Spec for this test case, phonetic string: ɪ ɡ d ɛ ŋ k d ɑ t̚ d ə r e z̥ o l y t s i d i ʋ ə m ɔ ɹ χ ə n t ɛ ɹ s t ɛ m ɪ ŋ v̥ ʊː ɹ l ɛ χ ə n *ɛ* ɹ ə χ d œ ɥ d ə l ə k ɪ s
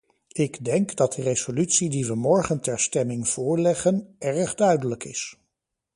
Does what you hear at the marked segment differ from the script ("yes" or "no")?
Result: no